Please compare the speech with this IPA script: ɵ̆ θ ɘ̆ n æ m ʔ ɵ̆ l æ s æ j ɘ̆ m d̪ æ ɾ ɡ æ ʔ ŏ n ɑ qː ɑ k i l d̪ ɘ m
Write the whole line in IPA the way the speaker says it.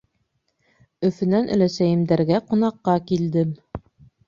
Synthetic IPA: ɵ̆ f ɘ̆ n æ n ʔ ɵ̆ l æ s æ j ɘ̆ m d̪ æ ɾ ɡ æ q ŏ n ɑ qː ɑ k i l d̪ ɘ m

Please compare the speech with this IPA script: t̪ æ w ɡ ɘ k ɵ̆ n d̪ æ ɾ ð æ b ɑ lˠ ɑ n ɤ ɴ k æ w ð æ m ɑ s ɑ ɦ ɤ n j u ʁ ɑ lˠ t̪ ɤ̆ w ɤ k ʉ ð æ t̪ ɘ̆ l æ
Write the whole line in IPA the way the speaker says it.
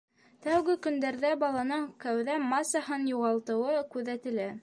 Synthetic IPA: t̪ æ w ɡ ɘ k ɵ̆ n d̪ æ ɾ ð æ b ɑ lˠ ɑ n ɤ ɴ k æ w ð æ m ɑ s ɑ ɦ ɤ n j u ʁ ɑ lˠ t̪ ɤ̆ w ɤ k ʉ ð æ t̪ ɘ̆ l æ

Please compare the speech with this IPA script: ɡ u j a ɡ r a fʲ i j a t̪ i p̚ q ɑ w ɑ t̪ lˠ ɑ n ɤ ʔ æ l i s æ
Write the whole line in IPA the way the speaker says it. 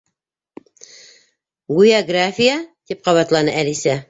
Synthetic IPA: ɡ u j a ɡ r a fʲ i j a t̪ i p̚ q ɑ β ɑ t̪ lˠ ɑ n ɤ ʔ æ l i s æ

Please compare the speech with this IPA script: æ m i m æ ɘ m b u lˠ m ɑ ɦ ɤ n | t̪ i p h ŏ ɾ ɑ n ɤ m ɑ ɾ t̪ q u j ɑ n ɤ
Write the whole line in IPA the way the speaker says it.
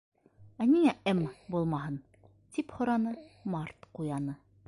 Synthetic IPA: æ n i ŋ æ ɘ m b u lˠ m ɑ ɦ ɤ n | t̪ i p h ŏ ɾ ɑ n ɤ m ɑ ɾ t̪ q u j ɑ n ɤ

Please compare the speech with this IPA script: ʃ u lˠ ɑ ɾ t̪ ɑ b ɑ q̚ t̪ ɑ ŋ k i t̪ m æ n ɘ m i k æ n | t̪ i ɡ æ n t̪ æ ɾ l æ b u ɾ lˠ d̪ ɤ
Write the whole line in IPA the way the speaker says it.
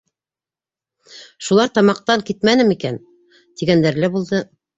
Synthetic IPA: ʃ u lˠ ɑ ɾ t̪ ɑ m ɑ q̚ t̪ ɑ ŋ k i t̪ m æ n ɘ m i k æ n | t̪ i ɡ æ n d̪ æ ɾ l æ b u lˠ d̪ ɤ

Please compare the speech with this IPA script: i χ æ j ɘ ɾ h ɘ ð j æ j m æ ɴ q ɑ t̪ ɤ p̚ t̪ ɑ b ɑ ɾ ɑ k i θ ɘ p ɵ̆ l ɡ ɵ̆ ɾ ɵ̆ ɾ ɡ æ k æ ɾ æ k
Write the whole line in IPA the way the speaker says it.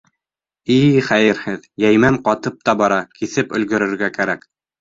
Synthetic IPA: i χ æ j ɘ ɾ h ɘ ð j æ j m æ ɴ q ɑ t̪ ɤ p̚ t̪ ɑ b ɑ ɾ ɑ k i θ ɘ p ɵ̆ l ɡ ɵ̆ ɾ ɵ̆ ɾ ɡ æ k æ ɾ æ k

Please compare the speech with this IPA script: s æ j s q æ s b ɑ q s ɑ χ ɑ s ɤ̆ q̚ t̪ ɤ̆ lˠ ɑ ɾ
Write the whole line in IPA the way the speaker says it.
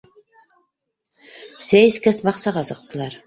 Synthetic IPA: s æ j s k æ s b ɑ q s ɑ ʁ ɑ s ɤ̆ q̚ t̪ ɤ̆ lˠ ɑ ɾ

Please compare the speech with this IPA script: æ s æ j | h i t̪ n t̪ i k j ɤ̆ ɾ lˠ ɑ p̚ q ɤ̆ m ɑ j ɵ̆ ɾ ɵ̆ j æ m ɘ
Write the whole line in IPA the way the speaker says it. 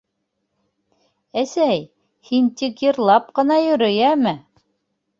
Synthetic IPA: æ s æ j | h i n t̪ i k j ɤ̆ ɾ lˠ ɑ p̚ q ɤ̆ n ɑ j ɵ̆ ɾ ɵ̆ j æ m ɘ

